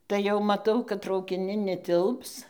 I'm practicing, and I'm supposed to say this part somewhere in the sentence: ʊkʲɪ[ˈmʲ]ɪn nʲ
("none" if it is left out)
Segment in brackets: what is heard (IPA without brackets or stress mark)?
nʲ